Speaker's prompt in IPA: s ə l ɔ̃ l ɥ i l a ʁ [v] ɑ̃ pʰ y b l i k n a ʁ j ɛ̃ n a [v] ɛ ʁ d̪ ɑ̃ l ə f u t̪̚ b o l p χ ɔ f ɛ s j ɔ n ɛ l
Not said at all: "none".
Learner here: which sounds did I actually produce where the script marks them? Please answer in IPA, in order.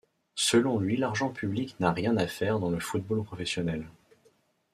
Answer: ʒ, f

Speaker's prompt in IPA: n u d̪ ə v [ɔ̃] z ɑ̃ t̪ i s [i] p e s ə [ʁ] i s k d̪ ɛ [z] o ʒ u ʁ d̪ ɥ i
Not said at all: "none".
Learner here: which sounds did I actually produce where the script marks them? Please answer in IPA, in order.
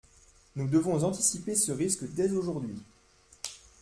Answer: ɔ̃, i, ʁ, z

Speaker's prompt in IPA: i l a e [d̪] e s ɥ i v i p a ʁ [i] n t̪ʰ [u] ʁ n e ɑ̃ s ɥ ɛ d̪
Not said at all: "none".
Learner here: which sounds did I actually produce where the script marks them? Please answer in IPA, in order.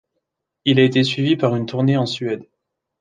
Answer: t̪, y, u

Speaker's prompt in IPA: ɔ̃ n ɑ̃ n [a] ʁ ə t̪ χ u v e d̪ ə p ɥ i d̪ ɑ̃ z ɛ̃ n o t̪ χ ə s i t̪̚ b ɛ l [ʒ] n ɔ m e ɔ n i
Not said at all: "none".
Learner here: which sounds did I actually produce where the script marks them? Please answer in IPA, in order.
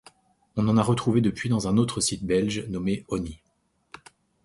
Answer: a, ʒ

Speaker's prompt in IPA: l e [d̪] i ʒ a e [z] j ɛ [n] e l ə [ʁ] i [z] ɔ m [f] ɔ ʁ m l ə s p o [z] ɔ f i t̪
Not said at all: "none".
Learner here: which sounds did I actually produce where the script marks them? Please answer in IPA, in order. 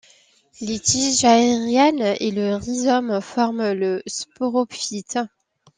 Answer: t̪, ʁ, n, ʁ, z, f, ʁ

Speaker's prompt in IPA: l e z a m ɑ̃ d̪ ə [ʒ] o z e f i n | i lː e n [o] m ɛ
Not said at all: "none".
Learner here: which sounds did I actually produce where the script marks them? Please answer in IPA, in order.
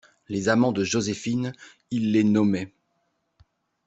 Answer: ʒ, ɔ

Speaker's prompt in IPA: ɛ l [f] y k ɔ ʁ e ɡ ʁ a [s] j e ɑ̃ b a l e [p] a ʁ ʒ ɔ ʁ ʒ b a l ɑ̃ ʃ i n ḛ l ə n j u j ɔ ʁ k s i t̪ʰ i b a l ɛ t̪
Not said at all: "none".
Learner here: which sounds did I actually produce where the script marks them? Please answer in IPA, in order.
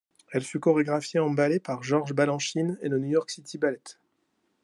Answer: f, f, p

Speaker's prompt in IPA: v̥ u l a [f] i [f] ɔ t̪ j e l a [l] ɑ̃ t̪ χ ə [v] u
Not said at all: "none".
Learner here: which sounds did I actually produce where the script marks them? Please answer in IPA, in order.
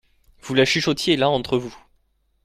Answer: ʃ, ʃ, none, v

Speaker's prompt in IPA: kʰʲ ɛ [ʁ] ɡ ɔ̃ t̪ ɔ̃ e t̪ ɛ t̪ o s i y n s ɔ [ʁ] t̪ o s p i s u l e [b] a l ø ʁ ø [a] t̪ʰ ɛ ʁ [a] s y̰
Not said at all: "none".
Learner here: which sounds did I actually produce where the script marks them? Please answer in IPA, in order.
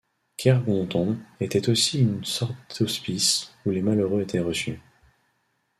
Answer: ʁ, ʁ, m, e, ə

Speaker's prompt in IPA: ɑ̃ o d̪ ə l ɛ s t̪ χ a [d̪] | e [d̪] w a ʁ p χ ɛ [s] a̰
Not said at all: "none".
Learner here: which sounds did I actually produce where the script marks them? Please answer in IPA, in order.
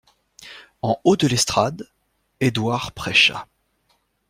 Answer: d̪, d̪, ʃ

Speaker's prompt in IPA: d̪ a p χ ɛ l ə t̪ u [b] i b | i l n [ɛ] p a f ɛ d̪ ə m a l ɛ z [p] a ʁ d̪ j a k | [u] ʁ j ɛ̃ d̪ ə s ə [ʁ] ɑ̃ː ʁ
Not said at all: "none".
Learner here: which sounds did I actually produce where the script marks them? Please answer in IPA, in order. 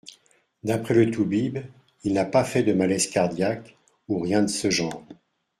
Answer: b, a, k, u, ʒ

